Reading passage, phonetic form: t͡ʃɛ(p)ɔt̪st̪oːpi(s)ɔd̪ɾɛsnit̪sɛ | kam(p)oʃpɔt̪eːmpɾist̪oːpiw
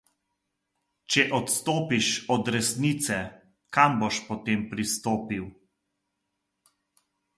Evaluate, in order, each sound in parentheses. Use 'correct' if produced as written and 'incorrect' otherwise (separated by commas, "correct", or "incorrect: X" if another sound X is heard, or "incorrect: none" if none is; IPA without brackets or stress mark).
incorrect: ʔ, incorrect: ʃ, incorrect: b